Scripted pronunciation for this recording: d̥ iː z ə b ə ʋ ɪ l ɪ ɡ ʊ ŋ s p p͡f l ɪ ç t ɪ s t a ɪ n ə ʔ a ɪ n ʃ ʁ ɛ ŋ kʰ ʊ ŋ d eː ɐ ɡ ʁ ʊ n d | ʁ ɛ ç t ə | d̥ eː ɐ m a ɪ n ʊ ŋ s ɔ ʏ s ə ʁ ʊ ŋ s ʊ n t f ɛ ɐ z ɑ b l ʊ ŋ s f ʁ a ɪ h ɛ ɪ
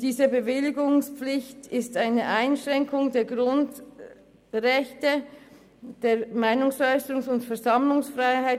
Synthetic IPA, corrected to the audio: d̥ iː z ə b ə v ɪ l ɪ ɡ ʊ ŋ s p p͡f l ɪ ç t ɪ s t a ɪ n ə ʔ a ɪ n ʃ ʁ ɛ ŋ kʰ ʊ ŋ d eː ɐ ɡ ʁ ʊ n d | ʁ ɛ ç t ə | d̥ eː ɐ m a ɪ n ʊ ŋ s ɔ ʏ s ə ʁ ʊ ŋ s ʊ n t f ɛ ɐ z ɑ m l ʊ ŋ s f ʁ a ɪ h a ɪ